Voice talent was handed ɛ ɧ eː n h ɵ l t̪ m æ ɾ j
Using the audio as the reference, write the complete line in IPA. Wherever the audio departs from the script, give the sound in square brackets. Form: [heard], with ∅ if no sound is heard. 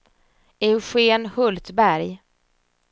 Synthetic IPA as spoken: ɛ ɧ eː n h ɵ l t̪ [b] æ ɾ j